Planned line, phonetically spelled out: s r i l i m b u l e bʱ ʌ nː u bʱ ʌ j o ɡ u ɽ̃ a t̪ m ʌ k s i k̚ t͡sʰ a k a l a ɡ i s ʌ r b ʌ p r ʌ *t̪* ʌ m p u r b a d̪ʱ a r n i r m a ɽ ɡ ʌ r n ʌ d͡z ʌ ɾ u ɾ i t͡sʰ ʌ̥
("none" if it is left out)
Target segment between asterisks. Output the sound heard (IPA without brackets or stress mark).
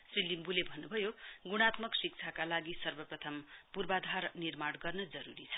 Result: t̪ʰ